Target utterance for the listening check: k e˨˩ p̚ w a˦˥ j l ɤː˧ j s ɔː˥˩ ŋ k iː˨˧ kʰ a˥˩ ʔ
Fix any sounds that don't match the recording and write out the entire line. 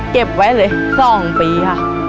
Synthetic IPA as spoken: k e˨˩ p̚ w a˦˥ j l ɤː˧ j s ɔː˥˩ ŋ p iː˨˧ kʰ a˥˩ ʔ